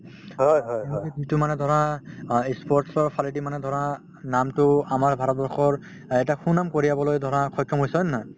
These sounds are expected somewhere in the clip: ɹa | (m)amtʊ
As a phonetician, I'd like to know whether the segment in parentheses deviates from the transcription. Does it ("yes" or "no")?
yes